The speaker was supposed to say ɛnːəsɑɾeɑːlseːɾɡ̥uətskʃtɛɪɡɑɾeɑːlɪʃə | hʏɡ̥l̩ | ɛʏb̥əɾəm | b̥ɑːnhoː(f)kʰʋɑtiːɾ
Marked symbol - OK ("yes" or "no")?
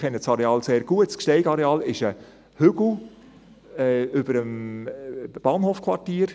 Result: yes